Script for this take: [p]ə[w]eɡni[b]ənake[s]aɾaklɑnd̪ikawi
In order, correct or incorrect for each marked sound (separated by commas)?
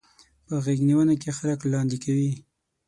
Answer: correct, incorrect, incorrect, incorrect